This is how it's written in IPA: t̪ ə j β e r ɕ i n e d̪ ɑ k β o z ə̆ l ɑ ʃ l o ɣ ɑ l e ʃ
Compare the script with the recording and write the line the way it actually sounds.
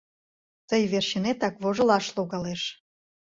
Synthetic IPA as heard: t̪ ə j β e r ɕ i n e t̪ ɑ k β o ʒ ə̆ l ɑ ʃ l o ɣ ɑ l e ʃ